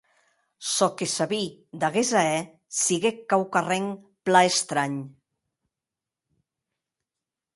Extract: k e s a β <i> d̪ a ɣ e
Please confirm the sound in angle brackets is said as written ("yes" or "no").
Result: yes